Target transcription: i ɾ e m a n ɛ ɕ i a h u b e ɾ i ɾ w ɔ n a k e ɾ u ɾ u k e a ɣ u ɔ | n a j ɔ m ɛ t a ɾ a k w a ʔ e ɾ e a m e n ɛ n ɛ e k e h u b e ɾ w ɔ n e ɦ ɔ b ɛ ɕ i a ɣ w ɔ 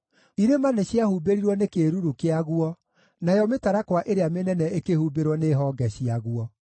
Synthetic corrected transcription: i ɾ e m a n ɛ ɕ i a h u b e ɾ i ɾ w ɔ n e k e ɾ u ɾ u k e a ɣ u ɔ | n a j ɔ m e t a ɾ a k w a ʔ e ɾ e a m e n ɛ n ɛ e k e h u b e ɾ w ɔ n e ɦ ɔ ɡ ɛ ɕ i a ɣ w ɔ